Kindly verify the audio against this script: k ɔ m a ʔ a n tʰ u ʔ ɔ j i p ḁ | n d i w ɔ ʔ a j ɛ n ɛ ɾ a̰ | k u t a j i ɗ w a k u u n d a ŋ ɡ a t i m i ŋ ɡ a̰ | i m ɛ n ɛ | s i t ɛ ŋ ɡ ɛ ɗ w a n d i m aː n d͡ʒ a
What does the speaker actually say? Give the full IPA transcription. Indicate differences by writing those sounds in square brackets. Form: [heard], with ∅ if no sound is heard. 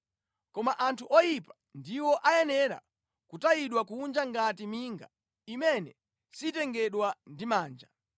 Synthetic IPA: k ɔ m a ʔ a n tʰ u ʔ ɔ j i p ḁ | n d i w ɔ ʔ a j ɛ n ɛ ɾ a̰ | k u t a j i ɗ w a k u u n [d͡ʒ] a ŋ ɡ a t i m i ŋ ɡ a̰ | i m ɛ n ɛ | s i t ɛ ŋ ɡ ɛ ɗ w a n d i m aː n d͡ʒ a